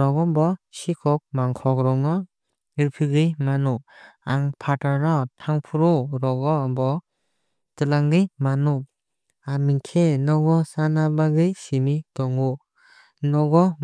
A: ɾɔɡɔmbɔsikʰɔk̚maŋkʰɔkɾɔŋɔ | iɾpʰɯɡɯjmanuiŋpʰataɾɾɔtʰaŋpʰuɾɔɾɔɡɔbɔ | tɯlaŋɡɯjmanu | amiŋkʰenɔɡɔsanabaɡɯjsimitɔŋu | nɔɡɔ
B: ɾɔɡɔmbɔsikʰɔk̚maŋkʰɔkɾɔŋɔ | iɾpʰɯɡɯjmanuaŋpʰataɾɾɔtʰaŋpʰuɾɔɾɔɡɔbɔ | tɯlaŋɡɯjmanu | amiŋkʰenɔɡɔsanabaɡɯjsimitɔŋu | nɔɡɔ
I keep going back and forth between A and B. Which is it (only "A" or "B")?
B